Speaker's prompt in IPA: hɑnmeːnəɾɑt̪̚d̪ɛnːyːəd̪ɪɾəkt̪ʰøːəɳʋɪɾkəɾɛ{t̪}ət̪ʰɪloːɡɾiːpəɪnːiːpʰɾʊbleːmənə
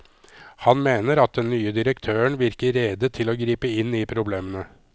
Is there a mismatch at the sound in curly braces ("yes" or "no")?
yes